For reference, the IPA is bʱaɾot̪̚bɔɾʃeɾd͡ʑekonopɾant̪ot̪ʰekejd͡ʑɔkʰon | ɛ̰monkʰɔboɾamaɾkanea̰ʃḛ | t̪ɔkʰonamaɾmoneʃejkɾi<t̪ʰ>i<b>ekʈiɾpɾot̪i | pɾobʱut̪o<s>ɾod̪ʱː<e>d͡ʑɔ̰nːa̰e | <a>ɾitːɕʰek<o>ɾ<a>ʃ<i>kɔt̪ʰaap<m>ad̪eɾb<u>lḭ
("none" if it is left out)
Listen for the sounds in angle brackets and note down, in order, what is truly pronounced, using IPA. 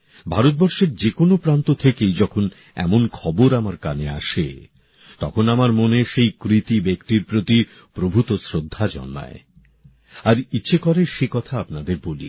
t̪, b, s, a, a, ɔ, e, e, n, o

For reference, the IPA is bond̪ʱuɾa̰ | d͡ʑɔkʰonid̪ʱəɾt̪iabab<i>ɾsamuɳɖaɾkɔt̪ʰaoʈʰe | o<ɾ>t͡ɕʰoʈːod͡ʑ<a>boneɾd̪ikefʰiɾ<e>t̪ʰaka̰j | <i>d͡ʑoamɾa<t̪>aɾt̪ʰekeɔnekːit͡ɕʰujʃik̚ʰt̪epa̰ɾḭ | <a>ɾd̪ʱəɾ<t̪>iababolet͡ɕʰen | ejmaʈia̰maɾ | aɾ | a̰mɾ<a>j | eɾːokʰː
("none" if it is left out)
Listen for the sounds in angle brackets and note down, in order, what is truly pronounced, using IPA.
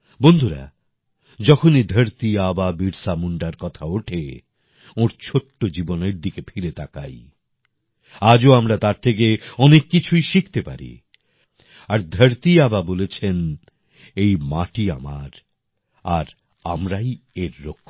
i, ɾ, i, e, a, t̪, a, t̪, a

